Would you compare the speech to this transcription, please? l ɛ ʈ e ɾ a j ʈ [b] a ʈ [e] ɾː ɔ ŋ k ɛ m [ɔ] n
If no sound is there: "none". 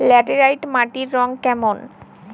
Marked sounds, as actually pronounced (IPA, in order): m, i, o

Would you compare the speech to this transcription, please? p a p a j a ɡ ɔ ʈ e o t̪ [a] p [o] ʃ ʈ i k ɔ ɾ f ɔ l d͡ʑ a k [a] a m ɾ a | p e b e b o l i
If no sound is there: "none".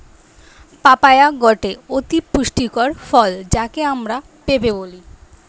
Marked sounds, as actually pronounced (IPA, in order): i, u, e

